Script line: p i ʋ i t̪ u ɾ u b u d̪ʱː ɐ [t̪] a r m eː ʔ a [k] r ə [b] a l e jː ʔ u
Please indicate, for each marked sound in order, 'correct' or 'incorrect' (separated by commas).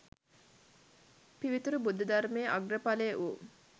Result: incorrect, incorrect, incorrect